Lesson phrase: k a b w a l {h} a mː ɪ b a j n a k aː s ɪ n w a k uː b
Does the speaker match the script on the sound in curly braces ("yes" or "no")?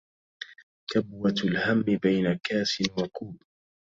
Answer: yes